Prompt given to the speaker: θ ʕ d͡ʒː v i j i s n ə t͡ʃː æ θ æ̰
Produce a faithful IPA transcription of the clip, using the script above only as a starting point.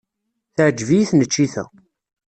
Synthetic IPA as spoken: θ ʕ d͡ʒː v i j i θ n ə t͡ʃː i θ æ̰